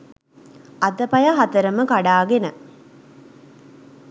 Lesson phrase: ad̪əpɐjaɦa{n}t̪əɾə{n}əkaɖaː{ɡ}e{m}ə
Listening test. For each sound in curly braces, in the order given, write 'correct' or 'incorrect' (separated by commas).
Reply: incorrect, incorrect, correct, incorrect